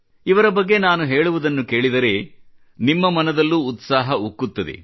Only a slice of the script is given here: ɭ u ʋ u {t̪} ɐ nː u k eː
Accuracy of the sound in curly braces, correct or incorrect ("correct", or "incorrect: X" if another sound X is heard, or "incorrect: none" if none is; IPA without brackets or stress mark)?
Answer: incorrect: d̪